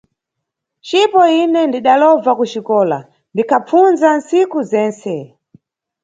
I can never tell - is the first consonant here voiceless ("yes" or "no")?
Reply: yes